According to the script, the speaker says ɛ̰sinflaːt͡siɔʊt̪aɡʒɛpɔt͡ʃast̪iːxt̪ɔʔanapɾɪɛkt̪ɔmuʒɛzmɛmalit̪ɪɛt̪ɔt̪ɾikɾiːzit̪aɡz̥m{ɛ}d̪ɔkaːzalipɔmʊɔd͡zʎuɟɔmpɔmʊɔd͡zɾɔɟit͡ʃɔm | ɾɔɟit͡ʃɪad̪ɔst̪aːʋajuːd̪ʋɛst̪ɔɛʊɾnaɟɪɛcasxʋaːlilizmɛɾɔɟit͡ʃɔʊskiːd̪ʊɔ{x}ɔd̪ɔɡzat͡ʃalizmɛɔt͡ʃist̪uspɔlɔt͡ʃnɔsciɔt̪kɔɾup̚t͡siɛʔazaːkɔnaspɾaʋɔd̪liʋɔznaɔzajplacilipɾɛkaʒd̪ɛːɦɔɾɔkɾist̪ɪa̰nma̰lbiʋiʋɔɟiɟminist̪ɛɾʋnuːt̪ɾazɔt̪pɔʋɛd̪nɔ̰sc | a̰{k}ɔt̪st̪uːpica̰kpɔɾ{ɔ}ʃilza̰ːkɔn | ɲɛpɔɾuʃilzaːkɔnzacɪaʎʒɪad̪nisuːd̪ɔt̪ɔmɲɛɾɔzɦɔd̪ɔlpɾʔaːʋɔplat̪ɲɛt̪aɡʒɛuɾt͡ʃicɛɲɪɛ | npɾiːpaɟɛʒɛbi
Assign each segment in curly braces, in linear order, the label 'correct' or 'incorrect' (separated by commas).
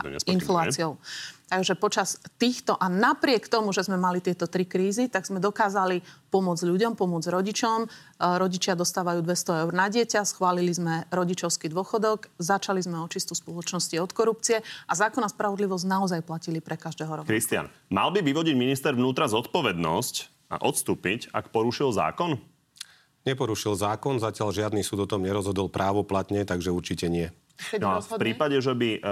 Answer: correct, correct, incorrect, incorrect